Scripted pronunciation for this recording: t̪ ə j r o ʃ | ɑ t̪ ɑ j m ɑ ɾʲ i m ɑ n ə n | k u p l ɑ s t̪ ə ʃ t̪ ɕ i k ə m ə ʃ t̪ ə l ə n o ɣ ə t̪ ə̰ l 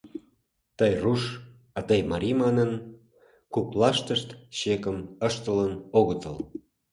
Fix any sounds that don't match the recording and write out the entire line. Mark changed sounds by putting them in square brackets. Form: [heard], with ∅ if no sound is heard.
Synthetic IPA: t̪ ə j r [u] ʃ | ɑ t̪ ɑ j m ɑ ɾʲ i m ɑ n ə n | k u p l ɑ [ʃ] t̪ ə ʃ t̪ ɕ [e] k ə m ə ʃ t̪ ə l ə n o ɣ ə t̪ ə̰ l